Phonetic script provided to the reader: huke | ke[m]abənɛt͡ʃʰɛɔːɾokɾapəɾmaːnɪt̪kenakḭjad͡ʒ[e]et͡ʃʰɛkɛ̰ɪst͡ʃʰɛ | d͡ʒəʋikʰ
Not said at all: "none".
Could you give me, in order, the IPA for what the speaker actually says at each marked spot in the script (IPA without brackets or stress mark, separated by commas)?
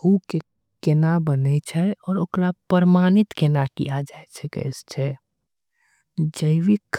n, a